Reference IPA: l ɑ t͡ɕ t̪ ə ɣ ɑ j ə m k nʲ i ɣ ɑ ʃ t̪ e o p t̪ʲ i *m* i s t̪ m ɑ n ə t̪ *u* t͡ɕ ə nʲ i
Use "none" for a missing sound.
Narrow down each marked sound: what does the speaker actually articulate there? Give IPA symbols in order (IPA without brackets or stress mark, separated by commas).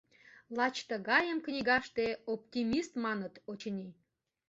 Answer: m, o